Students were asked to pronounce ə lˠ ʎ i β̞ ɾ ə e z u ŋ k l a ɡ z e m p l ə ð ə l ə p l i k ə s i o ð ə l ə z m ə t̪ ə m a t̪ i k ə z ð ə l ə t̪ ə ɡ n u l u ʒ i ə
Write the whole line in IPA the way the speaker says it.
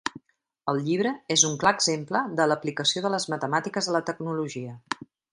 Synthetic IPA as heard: ə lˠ ʎ i β̞ ɾ ə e z u ŋ k l a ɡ z e m p l ə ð ə l ə p l i k ə s i o ð ə l ə z m ə t̪ ə m a t̪ i k ə z ð ə l ə t̪ ə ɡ n u l u ʒ i ə